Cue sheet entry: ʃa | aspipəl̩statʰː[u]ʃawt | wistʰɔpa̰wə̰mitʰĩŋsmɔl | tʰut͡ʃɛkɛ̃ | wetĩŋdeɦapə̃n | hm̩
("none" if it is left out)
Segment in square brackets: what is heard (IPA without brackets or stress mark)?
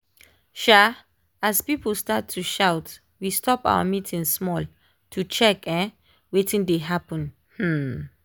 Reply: u